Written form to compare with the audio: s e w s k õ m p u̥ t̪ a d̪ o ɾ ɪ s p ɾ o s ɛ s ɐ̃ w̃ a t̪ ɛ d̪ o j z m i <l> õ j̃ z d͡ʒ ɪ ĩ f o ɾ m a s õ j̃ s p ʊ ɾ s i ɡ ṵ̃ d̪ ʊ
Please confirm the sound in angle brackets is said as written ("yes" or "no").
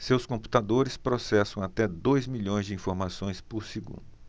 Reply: no